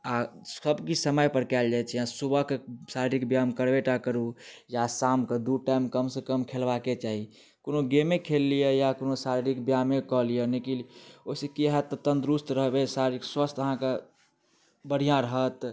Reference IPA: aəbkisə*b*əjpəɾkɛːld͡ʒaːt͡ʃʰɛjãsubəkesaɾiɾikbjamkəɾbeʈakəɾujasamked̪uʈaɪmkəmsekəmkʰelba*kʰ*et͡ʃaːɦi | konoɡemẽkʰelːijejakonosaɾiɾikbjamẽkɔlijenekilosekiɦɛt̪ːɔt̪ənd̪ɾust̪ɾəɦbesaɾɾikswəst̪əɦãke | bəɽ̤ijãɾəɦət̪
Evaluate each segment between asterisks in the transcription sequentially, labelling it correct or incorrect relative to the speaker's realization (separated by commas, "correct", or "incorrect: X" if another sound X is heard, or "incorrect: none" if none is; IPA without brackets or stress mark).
incorrect: m, incorrect: k